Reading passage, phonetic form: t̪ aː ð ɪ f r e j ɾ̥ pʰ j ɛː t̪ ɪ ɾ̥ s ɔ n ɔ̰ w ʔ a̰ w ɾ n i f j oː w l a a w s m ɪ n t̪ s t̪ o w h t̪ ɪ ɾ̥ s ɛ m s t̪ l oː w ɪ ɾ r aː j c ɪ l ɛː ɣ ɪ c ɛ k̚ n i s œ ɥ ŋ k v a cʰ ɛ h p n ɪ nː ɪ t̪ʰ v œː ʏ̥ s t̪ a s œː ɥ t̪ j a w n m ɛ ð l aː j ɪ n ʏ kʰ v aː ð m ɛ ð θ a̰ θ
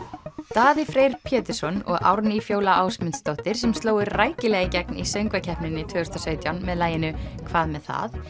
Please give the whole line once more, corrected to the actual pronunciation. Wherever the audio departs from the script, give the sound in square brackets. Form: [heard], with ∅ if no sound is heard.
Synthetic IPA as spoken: t̪ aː ð ɪ f [ɾ] e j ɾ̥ pʰ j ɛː t̪ ɪ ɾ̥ s ɔ n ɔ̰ [ɣ] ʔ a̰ w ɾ n i f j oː w l a a w s m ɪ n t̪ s t̪ o w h t̪ ɪ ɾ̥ s ɛ m s t̪ l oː w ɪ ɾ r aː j c ɪ l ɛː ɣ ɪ c ɛ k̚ n i s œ ɥ ŋ k v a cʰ ɛ h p n ɪ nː ɪ t̪ʰ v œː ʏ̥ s t̪ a s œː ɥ t̪ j a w n m ɛ ð l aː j ɪ n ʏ kʰ v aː ð m ɛ ð θ a̰ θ